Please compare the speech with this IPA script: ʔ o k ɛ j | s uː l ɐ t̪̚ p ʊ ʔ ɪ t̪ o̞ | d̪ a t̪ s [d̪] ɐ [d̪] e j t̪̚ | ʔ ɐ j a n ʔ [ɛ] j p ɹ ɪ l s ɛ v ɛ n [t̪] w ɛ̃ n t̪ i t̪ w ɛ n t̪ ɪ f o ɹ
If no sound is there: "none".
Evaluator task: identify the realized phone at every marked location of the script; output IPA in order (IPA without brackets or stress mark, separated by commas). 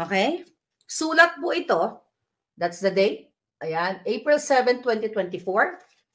d̪, d̪, e, t̪